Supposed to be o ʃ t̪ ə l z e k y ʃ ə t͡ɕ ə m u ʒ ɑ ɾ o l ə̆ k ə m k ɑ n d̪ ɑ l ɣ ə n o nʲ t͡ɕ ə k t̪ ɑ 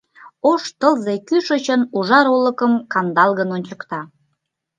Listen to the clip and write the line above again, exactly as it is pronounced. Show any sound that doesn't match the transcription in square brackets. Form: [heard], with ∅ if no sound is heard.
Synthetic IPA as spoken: o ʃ t̪ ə l z e k y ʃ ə t͡ɕ ə [n] u ʒ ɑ ɾ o l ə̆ k ə m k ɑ n d̪ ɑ l ɣ ə n o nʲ t͡ɕ ə k t̪ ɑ